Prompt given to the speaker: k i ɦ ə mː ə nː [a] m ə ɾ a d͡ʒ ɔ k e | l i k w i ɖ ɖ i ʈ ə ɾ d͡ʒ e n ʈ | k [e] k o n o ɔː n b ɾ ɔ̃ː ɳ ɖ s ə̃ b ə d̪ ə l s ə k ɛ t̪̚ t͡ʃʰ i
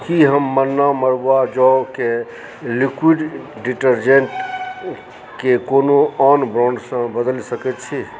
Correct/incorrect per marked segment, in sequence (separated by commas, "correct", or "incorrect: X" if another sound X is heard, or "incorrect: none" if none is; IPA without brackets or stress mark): correct, correct